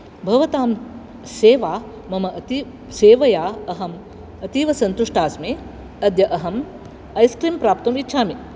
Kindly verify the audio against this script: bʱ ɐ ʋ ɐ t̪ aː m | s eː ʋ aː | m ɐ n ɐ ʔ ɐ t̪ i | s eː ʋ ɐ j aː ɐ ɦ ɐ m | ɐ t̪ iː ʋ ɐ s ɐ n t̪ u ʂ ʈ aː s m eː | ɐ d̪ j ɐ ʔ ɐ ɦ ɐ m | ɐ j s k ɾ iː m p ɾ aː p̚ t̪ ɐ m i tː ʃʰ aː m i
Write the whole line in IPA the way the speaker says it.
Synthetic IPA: bʱ ɐ ʋ ɐ t̪ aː m | s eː ʋ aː | m ɐ m ɐ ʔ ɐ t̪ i | s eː ʋ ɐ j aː ɐ ɦ ɐ m | ɐ t̪ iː ʋ ɐ s ɐ n t̪ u ʂ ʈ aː s m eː | ɐ d̪ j ɐ ʔ ɐ ɦ ɐ m | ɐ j s k ɾ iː m p ɾ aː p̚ t̪ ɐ m i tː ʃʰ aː m i